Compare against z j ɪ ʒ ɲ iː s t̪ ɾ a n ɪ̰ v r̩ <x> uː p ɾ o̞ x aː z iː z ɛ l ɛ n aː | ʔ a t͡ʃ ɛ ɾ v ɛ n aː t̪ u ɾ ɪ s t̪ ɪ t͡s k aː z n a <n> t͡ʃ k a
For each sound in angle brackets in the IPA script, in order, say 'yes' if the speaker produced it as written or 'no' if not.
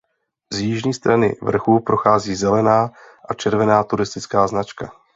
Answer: yes, no

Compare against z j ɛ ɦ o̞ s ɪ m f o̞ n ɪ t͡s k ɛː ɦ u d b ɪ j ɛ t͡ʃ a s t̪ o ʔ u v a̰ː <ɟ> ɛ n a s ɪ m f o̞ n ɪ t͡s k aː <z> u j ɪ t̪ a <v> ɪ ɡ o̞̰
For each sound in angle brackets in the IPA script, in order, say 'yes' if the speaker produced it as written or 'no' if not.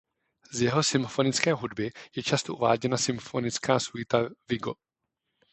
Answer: yes, no, yes

